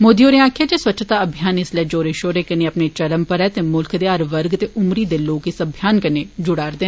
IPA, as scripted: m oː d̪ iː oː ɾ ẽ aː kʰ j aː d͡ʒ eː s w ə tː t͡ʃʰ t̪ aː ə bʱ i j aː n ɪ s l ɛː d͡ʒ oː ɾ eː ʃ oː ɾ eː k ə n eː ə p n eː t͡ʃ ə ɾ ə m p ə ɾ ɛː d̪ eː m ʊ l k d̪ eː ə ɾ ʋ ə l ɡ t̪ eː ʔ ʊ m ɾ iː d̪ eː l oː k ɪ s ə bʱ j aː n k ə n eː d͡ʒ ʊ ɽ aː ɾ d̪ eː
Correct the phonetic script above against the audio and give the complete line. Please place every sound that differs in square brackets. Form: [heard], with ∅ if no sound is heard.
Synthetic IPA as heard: m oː d̪ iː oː ɾ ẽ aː kʰ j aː d͡ʒ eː s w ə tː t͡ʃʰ t̪ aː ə bʱ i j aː n ɪ s l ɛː d͡ʒ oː ɾ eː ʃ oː ɾ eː k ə n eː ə p n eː t͡ʃ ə ɾ ə m p ə ɾ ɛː [t̪] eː m ʊ l k d̪ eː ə ɾ ʋ ə [ɾ] ɡ t̪ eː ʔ ʊ m ɾ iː d̪ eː l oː k ɪ s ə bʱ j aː n k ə n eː d͡ʒ ʊ ɽ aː ɾ d̪ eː